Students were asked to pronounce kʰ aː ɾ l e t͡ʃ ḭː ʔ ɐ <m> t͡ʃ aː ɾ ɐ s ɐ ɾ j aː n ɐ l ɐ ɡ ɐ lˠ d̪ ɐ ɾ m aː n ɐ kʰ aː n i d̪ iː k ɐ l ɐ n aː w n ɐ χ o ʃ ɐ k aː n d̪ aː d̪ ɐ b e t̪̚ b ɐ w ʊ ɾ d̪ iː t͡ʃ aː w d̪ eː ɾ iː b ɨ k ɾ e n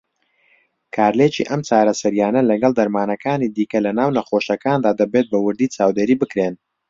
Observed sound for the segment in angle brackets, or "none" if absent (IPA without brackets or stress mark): m